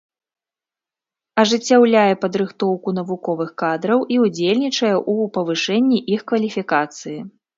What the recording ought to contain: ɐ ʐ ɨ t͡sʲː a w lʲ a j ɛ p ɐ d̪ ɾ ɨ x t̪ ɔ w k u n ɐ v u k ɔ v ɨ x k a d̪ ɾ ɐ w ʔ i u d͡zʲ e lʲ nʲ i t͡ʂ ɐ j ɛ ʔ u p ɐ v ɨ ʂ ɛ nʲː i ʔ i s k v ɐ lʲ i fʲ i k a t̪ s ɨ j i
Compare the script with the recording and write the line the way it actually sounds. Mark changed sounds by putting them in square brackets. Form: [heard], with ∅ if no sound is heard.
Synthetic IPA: ɐ ʐ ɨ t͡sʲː a w lʲ a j ɛ p ɐ d̪ ɾ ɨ x t̪ ɔ w k u n ɐ v u k ɔ v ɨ x k a d̪ ɾ ɐ w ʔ i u d͡zʲ e lʲ nʲ i t͡ʂ ɐ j ɛ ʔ u p ɐ v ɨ ʂ ɛ nʲː i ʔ i [x] k v ɐ lʲ i fʲ i k a t̪ s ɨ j i